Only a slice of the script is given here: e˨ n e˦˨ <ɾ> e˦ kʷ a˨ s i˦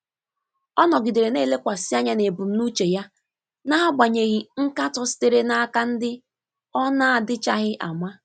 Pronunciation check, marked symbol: incorrect: l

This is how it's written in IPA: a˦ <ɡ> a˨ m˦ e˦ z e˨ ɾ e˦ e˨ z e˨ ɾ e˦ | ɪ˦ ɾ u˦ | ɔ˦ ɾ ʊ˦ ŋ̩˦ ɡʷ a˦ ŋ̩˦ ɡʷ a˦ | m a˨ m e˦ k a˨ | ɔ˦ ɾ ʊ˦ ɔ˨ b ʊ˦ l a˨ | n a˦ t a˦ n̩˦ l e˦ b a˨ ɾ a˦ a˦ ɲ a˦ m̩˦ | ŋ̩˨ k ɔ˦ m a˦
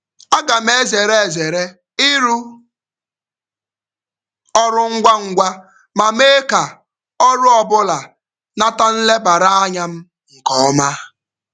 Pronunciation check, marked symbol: correct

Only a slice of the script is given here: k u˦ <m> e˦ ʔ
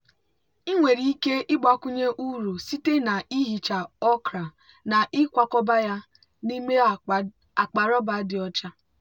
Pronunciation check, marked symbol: incorrect: ɲ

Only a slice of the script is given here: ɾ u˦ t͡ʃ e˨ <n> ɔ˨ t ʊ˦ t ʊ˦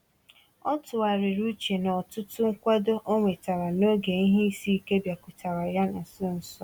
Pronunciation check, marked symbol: correct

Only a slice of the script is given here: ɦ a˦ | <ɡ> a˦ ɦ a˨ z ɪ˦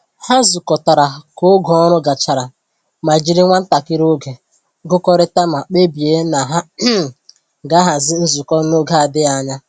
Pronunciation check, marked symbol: correct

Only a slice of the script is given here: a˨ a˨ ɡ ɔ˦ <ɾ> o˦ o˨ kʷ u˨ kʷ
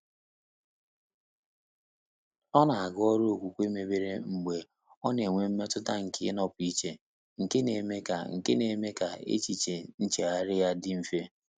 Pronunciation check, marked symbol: correct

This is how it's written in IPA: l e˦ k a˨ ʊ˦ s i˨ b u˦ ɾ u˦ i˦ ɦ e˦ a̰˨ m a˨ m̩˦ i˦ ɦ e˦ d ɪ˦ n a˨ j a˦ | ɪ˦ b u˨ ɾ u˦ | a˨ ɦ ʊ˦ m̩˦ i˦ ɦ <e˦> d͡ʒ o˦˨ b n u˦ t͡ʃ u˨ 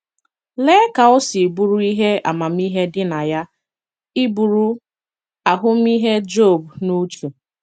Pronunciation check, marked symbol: correct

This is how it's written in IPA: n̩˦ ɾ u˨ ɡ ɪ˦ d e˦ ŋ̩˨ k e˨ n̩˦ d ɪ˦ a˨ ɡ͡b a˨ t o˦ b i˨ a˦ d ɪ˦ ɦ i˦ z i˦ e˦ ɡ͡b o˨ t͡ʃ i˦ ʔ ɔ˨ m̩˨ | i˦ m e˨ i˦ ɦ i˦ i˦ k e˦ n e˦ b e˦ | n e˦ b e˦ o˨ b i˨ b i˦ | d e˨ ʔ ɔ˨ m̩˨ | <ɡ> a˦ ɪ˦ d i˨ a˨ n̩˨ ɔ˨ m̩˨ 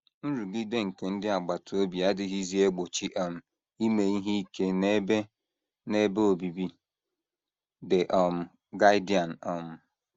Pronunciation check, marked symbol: correct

